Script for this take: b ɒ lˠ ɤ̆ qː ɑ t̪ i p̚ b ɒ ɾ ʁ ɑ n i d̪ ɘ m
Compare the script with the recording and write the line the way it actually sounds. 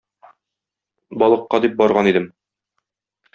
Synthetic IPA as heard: b ɒ lˠ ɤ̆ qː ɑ d̪ i p̚ b ɒ ɾ ʁ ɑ n i d̪ ɘ m